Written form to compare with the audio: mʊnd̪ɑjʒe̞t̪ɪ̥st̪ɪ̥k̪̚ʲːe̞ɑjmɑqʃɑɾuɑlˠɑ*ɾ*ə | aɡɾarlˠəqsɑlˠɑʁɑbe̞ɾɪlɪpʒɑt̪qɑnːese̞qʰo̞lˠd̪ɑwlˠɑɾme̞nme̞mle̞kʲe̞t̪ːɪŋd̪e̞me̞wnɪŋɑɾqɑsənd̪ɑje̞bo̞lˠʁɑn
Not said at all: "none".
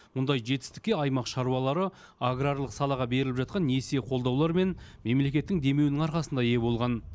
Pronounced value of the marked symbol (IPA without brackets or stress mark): ɾ